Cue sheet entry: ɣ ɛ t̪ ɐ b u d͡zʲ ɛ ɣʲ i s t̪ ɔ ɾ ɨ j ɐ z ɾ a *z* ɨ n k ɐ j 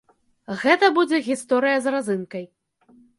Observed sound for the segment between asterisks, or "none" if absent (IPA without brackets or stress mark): z